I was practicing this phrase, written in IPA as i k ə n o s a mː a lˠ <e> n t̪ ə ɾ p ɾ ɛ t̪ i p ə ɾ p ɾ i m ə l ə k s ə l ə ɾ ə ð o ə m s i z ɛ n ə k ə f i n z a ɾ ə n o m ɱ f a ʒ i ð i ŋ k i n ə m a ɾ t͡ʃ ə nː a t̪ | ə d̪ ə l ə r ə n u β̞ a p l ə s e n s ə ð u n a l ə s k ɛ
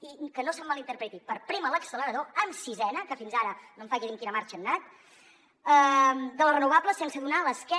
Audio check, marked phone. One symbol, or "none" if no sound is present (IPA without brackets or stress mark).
i